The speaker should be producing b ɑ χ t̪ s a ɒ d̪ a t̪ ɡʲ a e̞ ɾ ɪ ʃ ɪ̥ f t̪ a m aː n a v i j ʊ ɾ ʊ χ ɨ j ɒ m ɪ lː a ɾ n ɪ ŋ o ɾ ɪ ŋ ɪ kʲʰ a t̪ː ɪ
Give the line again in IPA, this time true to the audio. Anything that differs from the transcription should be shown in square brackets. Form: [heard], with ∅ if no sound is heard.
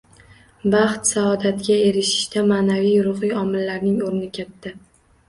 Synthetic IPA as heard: b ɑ χ t̪ s a ɒ d̪ a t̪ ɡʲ a e̞ ɾ ɪ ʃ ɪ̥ [ʃ] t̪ a m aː n a v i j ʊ ɾ ʊ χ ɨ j ɒ m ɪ lː a ɾ n ɪ ŋ o ɾ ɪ [n] ɪ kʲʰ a t̪ː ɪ

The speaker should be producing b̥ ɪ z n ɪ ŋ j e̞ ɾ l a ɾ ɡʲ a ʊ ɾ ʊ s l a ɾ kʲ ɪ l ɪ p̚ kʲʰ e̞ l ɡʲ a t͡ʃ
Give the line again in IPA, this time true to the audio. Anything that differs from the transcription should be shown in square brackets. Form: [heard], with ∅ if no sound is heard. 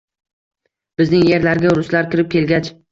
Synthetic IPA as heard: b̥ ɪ z n ɪ ŋ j e̞ ɾ l a ɾ ɡʲ a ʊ ɾ ʊ s l a ɾ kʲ ɪ [ɾ] ɪ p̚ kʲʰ e̞ l ɡʲ a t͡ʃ

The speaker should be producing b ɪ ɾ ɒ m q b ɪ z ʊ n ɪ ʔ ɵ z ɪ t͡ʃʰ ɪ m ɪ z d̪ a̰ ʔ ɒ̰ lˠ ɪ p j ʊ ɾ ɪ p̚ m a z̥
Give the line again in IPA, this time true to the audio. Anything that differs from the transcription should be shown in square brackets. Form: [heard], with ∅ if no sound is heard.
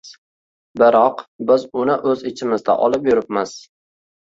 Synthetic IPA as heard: b ɪ ɾ ɒ [∅] q b ɪ z ʊ n ɪ ʔ ɵ z ɪ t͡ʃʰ ɪ m ɪ z d̪ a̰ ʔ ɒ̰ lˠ ɪ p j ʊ ɾ ɪ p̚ m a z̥

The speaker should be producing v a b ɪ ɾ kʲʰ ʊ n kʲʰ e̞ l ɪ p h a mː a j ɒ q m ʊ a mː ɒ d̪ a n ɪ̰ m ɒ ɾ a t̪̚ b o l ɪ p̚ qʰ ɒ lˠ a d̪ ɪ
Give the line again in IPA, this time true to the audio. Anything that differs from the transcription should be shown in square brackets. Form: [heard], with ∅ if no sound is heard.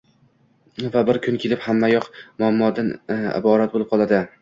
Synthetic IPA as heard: v a b ɪ ɾ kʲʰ ʊ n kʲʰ e̞ l ɪ p h a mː a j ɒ q m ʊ a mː ɒ d̪ a n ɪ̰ [b] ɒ ɾ a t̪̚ b o l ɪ p̚ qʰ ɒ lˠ a d̪ ɪ

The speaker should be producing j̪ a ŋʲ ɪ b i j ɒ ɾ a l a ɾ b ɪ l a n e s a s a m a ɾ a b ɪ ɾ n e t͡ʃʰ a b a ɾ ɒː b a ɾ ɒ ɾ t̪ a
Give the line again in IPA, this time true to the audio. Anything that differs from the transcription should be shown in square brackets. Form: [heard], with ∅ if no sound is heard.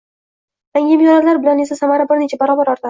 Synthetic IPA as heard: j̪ a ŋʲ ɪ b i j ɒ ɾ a l a ɾ b ɪ l a n e s a s a m a ɾ a b ɪ ɾ n e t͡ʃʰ a b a ɾ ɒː b a ɾ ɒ ɾ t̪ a

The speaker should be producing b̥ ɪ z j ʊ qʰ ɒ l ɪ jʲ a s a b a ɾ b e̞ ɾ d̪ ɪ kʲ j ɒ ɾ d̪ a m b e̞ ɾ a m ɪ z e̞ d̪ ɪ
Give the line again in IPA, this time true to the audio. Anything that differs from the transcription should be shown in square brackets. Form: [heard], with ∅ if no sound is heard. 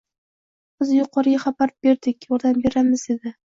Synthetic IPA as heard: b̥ ɪ z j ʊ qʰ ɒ [ɾ] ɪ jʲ a [χ] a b a ɾ b e̞ ɾ d̪ ɪ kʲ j ɒ ɾ d̪ a m b e̞ ɾ a m ɪ z e̞ d̪ ɪ

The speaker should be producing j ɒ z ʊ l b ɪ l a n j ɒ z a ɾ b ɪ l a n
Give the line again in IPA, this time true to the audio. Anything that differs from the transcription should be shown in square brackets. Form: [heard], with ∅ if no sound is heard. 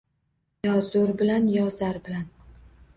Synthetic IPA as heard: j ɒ z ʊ [ɾ] b ɪ l a n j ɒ z a ɾ b ɪ l a n

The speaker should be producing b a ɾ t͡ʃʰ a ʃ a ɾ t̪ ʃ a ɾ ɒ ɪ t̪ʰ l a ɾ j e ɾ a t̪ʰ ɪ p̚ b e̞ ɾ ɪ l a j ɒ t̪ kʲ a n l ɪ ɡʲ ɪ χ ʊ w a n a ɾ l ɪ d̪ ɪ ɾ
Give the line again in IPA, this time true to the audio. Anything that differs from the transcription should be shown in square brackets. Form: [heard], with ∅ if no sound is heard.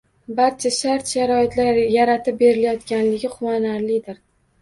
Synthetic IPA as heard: b a ɾ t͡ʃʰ a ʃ a ɾ t̪ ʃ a ɾ ɒ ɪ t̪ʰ l a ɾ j [a] ɾ a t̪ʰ ɪ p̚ b e̞ ɾ ɪ l a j ɒ t̪ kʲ a n l ɪ ɡʲ ɪ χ ʊ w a n a ɾ l ɪ d̪ ɪ ɾ

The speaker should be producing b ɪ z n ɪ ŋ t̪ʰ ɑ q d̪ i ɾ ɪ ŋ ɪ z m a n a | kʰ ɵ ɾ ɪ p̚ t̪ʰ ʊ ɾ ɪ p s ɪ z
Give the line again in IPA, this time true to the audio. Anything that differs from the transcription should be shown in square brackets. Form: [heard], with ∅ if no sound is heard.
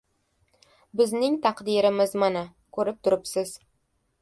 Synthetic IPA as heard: b ɪ z n ɪ ŋ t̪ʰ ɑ q d̪ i ɾ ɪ [m] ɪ z m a n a | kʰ ɵ ɾ ɪ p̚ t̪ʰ ʊ ɾ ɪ p s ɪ z

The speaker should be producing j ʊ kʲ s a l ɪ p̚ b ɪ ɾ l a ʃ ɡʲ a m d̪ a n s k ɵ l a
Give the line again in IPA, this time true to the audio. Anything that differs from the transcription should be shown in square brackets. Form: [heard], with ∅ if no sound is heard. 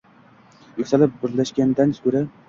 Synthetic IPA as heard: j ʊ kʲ s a l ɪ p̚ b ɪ ɾ l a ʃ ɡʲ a [n] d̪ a n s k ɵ [ɾ] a

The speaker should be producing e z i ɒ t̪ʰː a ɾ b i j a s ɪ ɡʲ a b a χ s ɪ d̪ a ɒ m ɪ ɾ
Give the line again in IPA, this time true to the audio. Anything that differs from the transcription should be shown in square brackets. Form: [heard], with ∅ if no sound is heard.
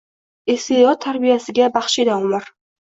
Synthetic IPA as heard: e [s] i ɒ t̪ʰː a ɾ b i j a s ɪ ɡʲ a b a χ [ʃ] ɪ d̪ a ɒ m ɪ ɾ

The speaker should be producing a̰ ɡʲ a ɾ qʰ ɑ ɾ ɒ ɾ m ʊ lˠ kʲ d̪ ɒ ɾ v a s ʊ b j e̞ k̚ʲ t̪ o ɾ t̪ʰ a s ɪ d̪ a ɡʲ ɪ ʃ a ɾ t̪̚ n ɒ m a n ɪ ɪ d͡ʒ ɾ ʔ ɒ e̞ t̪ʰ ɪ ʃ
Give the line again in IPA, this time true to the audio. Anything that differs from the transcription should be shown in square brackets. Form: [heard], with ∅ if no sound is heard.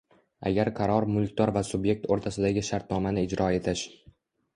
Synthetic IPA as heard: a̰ ɡʲ a ɾ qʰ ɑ ɾ ɒ ɾ m ʊ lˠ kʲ [t̪] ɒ ɾ v a s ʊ b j e̞ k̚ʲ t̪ o ɾ t̪ʰ a s ɪ d̪ a ɡʲ ɪ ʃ a ɾ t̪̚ n ɒ m a n ɪ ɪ d͡ʒ ɾ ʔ ɒ e̞ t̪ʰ ɪ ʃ

